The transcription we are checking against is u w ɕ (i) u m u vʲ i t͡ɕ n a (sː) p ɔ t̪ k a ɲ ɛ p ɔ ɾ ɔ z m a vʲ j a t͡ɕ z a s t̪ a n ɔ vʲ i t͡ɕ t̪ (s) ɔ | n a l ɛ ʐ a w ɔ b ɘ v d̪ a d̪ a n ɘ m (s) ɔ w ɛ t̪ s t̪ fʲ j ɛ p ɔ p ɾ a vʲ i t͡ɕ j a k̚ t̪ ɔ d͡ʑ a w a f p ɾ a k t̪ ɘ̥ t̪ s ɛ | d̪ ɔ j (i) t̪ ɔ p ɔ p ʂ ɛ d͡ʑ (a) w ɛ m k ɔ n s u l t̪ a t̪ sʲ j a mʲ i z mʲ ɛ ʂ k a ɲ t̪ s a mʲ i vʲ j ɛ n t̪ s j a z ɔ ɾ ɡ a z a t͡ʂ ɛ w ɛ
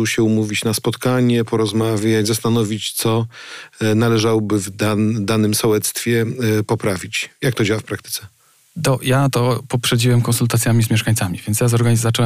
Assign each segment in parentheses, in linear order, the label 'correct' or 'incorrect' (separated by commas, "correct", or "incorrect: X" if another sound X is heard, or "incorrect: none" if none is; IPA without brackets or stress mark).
incorrect: ɛ, incorrect: s, correct, correct, incorrect: a, incorrect: i